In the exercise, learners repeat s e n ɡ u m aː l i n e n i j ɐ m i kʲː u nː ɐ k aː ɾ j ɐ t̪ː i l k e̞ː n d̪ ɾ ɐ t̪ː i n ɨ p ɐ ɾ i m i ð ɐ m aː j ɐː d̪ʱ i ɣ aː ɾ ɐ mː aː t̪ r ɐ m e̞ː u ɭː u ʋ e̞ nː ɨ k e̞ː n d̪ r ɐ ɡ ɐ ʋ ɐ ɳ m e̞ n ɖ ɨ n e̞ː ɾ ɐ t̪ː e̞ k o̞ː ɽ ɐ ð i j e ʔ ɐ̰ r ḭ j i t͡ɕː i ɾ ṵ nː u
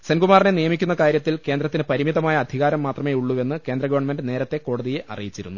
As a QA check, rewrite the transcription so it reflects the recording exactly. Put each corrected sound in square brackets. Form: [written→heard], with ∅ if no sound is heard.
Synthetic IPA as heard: s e n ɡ u m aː [l→r] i n e n i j ɐ m i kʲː u nː ɐ k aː ɾ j ɐ t̪ː i l k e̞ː n d̪ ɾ ɐ t̪ː i n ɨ p ɐ ɾ i m i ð ɐ m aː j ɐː d̪ʱ i ɣ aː ɾ ɐ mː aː t̪ r ɐ m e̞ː u ɭː u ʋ e̞ nː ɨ k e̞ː n d̪ r ɐ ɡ ɐ ʋ ɐ ɳ m e̞ n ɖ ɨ n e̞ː ɾ ɐ t̪ː e̞ k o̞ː ɽ ɐ ð i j e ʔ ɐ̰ r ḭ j i t͡ɕː i ɾ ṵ nː u